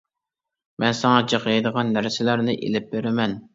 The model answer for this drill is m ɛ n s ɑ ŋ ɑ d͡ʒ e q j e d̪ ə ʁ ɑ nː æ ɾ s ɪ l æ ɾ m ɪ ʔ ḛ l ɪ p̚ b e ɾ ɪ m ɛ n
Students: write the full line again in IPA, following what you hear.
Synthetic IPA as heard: m ɛ n s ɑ ŋ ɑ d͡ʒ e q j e d̪ ə ʁ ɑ nː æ ɾ s ɪ l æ ɾ n ɪ ʔ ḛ l ɪ p̚ b e ɾ ɪ m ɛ n